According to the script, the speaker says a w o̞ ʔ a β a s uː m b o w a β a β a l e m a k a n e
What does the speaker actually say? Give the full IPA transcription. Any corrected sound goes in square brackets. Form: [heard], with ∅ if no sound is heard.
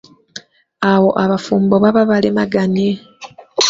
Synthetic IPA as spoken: a w o̞ ʔ a β a [f] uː m b o [β] a β a β a l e m a [ɡ] a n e